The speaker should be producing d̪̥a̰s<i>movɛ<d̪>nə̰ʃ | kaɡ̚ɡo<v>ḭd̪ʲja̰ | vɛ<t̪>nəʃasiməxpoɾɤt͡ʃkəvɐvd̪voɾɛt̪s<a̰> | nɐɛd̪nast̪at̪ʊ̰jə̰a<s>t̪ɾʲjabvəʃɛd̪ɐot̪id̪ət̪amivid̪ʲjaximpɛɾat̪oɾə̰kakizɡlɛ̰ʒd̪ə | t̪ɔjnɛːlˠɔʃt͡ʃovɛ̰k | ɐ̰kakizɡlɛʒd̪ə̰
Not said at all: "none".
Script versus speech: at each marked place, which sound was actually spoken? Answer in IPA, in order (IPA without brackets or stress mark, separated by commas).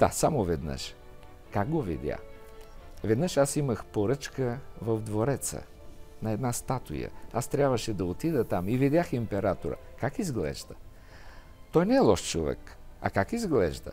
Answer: a, d̪, v, d̪, ə̰, s